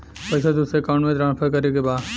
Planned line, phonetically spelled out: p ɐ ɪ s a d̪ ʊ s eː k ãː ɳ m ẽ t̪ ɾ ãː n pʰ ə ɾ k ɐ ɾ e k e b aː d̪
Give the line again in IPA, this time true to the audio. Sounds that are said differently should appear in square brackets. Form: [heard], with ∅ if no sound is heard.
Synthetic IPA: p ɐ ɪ s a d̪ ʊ s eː k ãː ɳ m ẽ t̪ ɾ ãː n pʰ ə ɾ k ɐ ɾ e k e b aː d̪